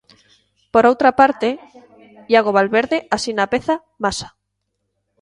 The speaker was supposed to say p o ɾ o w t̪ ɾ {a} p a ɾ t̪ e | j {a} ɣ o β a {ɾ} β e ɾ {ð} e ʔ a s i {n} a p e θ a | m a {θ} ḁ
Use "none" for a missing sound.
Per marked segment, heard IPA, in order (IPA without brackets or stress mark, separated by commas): a, a, l, ð, n, s